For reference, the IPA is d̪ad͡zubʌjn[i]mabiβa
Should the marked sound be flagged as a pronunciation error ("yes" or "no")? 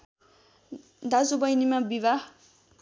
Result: no